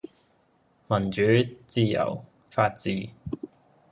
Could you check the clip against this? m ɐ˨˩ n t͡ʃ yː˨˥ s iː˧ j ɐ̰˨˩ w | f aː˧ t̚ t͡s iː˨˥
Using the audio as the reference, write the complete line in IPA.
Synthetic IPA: m ɐ˨˩ n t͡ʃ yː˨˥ t͡s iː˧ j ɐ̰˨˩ w | f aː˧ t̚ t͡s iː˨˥